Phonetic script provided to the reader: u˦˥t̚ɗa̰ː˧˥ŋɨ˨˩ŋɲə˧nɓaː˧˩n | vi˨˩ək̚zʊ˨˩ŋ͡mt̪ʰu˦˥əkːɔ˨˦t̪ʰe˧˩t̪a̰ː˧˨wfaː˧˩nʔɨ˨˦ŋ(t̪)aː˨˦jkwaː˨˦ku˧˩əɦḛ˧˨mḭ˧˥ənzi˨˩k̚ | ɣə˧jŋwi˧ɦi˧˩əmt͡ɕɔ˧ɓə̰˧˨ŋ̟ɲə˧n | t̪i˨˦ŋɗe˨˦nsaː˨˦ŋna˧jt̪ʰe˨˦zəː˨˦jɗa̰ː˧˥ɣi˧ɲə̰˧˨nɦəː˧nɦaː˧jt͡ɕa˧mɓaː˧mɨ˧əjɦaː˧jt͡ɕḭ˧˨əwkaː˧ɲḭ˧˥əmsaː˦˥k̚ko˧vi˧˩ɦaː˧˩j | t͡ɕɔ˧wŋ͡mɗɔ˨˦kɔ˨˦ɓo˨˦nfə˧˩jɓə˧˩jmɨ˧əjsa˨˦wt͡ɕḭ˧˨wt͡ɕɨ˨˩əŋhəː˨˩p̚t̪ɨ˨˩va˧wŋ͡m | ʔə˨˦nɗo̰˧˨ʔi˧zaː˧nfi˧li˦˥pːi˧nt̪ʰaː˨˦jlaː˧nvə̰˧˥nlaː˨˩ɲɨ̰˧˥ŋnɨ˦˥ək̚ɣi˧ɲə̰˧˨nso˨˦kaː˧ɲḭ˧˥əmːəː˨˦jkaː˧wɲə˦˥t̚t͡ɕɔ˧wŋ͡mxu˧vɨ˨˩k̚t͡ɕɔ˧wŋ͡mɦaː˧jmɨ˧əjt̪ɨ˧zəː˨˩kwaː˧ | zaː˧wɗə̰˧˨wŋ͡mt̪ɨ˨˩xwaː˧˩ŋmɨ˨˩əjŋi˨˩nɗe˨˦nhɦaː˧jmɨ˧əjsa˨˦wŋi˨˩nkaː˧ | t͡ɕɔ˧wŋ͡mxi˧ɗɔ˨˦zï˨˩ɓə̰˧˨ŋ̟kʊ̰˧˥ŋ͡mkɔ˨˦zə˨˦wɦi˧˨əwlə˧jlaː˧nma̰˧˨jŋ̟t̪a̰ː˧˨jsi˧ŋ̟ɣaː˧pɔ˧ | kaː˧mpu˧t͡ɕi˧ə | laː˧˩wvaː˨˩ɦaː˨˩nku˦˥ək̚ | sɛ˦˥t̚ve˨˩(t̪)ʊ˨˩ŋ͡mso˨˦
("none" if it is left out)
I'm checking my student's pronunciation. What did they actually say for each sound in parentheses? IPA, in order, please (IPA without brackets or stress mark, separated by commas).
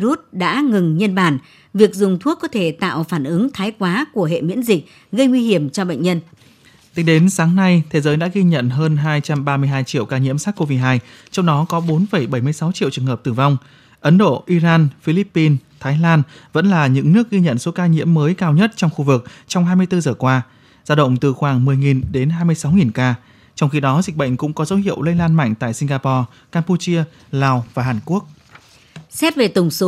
t̪ʰ, t̪